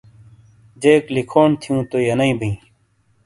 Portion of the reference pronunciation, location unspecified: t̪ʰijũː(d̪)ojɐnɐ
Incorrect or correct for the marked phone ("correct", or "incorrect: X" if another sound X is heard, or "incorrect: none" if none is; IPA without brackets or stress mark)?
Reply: incorrect: t̪